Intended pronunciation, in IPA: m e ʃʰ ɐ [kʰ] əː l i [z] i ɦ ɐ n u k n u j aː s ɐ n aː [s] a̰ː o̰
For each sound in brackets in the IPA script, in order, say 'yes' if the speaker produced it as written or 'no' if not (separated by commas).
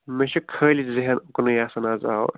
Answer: yes, yes, no